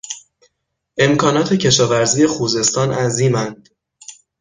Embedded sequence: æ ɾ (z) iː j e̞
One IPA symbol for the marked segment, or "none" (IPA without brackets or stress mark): z